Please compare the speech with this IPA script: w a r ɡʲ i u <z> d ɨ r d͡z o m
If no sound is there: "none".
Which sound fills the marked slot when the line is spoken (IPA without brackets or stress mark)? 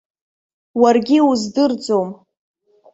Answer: z